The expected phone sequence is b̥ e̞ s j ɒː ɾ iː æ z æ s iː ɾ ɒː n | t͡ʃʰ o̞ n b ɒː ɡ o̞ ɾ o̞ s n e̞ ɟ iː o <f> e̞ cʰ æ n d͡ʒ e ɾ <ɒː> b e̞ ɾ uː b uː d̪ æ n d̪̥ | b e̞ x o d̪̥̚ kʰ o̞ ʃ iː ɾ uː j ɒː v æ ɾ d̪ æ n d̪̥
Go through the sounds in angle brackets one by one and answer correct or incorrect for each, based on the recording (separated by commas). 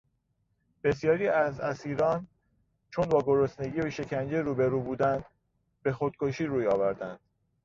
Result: incorrect, incorrect